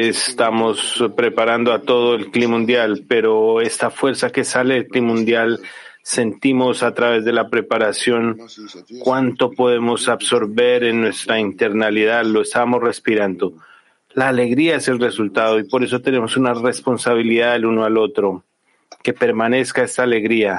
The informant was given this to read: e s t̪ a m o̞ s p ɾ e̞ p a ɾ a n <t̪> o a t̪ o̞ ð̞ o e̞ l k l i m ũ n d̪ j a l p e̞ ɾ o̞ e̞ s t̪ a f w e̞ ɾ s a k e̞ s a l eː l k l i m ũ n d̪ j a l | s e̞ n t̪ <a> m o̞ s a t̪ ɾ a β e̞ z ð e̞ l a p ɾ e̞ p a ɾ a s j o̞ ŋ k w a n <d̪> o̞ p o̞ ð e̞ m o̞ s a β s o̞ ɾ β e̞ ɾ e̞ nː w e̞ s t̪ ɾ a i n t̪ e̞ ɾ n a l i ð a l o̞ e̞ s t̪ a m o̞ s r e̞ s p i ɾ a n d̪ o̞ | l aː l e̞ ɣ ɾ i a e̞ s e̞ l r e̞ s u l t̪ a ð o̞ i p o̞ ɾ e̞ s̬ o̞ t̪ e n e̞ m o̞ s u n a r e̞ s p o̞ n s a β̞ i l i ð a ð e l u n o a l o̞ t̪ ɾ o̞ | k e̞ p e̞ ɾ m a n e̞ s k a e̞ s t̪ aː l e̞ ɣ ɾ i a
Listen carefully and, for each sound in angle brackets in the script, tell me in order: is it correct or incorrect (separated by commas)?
incorrect, incorrect, incorrect